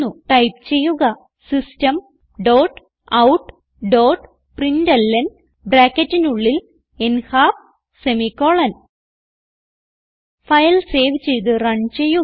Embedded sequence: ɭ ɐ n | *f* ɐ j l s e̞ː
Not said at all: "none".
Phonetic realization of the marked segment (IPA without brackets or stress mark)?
f